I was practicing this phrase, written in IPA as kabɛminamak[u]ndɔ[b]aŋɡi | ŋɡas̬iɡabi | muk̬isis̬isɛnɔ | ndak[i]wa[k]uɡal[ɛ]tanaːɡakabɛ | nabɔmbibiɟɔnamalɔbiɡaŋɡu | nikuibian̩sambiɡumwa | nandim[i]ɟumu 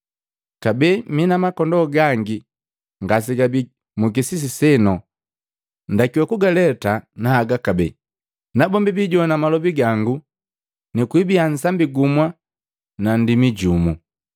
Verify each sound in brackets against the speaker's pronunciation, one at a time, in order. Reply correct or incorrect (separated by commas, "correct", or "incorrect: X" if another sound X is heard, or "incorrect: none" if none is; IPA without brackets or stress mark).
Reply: incorrect: ɔ, incorrect: ɡ, correct, correct, correct, correct